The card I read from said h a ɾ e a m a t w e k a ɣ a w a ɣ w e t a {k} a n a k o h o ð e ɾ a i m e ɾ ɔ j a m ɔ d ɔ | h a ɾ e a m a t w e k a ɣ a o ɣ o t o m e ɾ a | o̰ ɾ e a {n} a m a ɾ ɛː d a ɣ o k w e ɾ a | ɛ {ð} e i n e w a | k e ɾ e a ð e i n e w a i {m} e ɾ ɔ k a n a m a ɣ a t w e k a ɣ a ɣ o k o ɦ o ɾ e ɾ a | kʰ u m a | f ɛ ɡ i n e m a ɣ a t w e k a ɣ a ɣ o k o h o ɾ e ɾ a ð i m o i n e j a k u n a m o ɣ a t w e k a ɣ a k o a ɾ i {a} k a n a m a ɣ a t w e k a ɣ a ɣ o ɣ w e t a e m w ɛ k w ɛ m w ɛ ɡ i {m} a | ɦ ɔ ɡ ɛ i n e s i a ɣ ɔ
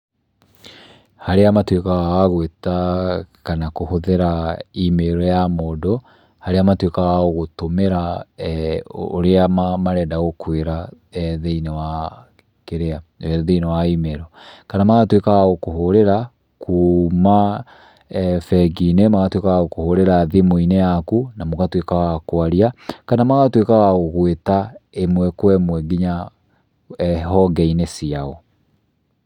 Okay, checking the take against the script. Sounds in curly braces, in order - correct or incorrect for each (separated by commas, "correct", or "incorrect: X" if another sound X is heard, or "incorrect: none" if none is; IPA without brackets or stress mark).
correct, incorrect: m, correct, correct, correct, incorrect: ɲ